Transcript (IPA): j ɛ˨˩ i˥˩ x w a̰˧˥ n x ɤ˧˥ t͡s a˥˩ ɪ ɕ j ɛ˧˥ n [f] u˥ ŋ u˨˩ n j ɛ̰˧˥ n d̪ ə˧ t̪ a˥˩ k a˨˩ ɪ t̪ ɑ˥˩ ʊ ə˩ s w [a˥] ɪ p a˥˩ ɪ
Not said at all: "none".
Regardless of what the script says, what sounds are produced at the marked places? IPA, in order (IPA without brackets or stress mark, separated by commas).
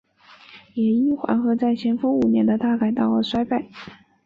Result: f, a˥